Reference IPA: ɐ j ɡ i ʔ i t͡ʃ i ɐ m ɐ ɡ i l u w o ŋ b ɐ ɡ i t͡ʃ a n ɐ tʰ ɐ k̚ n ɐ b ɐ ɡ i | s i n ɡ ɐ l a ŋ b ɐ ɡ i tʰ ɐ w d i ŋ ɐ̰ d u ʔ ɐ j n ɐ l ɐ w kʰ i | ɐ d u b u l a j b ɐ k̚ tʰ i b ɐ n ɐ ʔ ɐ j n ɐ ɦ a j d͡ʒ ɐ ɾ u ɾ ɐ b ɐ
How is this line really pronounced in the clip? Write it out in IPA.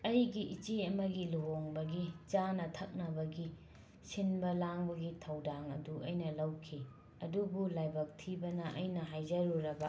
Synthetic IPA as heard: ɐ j ɡ i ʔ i t͡ʃ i ɐ m ɐ ɡ i l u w o ŋ b ɐ ɡ i t͡ʃ a n ɐ tʰ ɐ k̚ n ɐ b ɐ ɡ i | s i n b ɐ l a ŋ b ɐ ɡ i tʰ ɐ w d a ŋ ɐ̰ d u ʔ ɐ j n ɐ l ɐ w kʰ i | ɐ d u b u l a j b ɐ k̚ tʰ i b ɐ n ɐ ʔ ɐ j n ɐ ɦ a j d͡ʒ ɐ ɾ u ɾ ɐ b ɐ